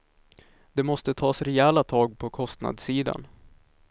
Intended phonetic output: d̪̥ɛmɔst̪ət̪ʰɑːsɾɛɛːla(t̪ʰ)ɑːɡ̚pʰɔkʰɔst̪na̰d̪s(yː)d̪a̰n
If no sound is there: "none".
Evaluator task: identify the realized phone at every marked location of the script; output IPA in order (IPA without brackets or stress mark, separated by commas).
t̪ʰ, iː